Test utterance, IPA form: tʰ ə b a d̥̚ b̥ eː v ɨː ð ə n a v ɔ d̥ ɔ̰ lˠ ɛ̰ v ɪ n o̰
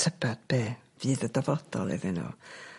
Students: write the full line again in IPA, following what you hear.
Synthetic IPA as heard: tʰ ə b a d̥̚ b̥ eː v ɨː ð ə d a v ɔ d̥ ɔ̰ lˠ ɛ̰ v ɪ n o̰

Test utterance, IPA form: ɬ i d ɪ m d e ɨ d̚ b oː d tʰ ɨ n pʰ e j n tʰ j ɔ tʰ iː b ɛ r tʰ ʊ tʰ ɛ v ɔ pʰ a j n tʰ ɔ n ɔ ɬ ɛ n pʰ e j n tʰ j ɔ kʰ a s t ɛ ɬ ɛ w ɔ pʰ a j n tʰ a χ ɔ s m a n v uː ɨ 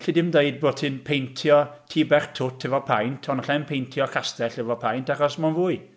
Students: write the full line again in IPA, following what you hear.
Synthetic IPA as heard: ɬ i d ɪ m d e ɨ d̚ b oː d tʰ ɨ n pʰ e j n tʰ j ɔ tʰ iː b ɛ r tʰ ʊ tʰ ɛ v ɔ pʰ a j n tʰ ɔ n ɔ ɬ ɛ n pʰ e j n tʰ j ɔ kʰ a s t ɛ ɬ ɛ v ɔ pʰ a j n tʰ a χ ɔ s m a n v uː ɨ

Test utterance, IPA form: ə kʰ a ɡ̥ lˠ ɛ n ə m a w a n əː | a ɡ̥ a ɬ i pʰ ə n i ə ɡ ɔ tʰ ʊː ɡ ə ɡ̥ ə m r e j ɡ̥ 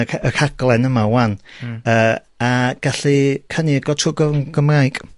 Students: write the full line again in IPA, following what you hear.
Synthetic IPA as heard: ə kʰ a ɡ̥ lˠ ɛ n ə m a w a n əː | a ɡ̥ a ɬ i kʰ ə n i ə ɡ ɔ tʰ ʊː ɡ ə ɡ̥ ə m r a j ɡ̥

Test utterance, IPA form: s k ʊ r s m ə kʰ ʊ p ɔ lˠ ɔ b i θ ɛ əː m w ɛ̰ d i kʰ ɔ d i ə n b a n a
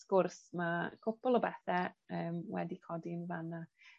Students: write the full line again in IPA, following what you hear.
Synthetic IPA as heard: s k ʊ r s m a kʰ ʊ p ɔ lˠ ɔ b ɛ θ ɛ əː m w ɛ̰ d i kʰ ɔ d i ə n v a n a

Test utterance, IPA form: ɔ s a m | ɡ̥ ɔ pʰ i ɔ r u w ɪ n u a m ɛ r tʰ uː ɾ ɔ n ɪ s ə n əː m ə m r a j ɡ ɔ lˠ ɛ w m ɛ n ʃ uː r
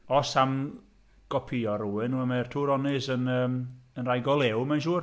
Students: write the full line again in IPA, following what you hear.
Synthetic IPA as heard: ɔ s a m | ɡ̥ ɔ pʰ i ɔ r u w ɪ n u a m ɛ r tʰ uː ɾ ɔ n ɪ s ə n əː m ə n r a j ɡ ɔ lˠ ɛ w m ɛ n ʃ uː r

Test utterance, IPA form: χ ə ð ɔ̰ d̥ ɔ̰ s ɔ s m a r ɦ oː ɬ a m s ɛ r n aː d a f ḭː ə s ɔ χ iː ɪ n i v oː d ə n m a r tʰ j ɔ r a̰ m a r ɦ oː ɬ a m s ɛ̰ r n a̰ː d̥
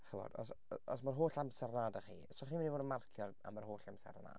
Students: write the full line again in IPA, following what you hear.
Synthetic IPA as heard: χ ə v ɔ̰ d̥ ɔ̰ s ɔ s m a r ɦ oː ɬ a m s ɛ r n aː d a χ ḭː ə s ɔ χ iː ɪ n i v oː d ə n m a r kʰ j ɔ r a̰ m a r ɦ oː ɬ a m s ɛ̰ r n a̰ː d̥

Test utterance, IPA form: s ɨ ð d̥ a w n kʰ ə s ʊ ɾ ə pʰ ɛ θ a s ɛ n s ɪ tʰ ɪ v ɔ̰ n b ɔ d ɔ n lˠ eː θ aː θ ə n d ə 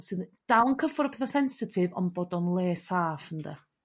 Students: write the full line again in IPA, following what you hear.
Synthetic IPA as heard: s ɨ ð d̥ a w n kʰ ə f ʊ ɾ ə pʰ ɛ θ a s ɛ n s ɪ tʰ ɪ v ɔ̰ n b ɔ d ɔ n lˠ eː s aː f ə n d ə

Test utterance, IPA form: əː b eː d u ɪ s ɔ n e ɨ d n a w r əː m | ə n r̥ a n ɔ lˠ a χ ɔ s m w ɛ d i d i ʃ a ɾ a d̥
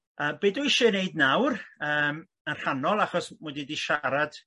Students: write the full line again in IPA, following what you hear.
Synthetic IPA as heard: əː b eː d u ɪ ʃ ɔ n e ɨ d n a w r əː m | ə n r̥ a n ɔ lˠ a χ ɔ s m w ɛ d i d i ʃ a ɾ a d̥

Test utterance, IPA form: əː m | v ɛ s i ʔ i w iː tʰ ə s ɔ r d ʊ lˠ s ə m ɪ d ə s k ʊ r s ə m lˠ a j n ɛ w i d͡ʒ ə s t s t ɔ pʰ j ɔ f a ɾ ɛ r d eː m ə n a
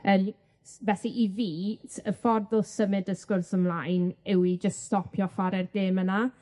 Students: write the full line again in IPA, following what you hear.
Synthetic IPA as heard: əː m | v ɛ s i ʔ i v iː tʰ ə f ɔ r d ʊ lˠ s ə m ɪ d ə s k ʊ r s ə m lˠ a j n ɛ w i d͡ʒ ə s t s t ɔ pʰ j ɔ f a ɾ ɛ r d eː m ə n a

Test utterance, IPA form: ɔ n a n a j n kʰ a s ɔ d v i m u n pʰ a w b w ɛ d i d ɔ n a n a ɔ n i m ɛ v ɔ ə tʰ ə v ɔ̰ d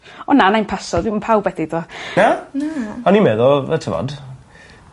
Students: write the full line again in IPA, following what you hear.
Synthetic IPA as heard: ɔ n a n a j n pʰ a s ɔ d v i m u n pʰ a w b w ɛ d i d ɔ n a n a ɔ n i m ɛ ð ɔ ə tʰ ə v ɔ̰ d

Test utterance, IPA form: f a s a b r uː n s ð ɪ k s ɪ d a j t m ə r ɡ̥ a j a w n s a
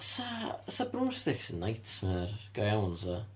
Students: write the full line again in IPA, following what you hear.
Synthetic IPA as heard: s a s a b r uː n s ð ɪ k s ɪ n a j t m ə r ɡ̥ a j a w n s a

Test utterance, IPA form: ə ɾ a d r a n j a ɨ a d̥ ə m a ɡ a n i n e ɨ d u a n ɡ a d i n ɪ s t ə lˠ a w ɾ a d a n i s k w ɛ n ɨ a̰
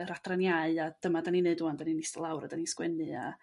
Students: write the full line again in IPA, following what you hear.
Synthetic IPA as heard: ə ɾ a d r a n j a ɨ a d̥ ə m a d a n i n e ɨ d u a n d a n i n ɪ s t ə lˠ a w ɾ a d a n i s k w ɛ n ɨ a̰

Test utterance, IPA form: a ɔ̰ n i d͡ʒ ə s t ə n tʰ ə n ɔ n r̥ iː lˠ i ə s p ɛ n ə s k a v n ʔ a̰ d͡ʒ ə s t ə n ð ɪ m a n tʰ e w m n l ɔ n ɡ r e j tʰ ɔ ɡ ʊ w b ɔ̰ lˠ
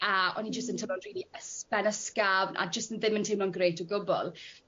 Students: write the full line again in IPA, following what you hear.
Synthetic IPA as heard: a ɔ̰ n i d͡ʒ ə s t ə n tʰ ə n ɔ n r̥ iː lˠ i ə s p ɛ n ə s k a v n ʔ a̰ d͡ʒ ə s t ə n ð ɪ m ə n tʰ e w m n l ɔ n ɡ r e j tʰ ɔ ɡ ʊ b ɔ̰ lˠ

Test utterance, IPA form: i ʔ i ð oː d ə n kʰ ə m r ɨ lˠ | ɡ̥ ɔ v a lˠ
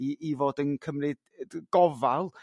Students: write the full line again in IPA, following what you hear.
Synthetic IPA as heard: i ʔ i v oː d ə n kʰ ə m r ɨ | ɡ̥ ɔ v a lˠ

